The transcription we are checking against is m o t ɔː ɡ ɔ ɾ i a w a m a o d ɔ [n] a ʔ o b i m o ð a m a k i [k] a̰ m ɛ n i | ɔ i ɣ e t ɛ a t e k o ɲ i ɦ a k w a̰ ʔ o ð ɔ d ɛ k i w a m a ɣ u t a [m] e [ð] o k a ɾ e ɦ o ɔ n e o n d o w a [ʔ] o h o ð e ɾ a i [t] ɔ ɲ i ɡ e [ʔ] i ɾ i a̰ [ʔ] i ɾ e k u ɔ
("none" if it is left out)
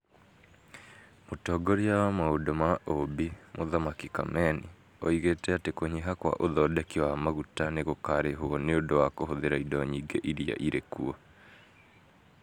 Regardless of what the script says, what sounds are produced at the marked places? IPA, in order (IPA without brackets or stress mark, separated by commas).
m, k, n, ɣ, k, d, ʔ, ʔ